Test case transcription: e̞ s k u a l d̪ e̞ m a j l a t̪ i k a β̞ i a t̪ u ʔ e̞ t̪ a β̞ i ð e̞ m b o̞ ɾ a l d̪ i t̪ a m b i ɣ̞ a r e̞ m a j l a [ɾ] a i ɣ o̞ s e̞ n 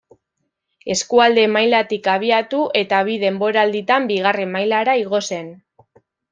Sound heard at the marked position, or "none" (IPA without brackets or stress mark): ɾ